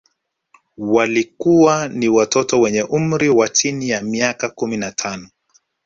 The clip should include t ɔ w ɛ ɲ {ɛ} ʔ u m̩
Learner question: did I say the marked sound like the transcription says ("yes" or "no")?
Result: yes